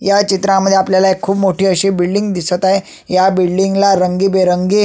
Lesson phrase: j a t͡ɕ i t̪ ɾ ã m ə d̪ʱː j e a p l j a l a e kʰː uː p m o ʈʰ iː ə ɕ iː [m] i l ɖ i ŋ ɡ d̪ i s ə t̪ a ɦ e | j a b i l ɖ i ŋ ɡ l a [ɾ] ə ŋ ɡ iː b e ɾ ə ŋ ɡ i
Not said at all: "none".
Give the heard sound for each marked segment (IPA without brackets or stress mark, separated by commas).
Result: b, ɾ